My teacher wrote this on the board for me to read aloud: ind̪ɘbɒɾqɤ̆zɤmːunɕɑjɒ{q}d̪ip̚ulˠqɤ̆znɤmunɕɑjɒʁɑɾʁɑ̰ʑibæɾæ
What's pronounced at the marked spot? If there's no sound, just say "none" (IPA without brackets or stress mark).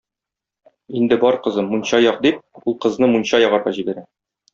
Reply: q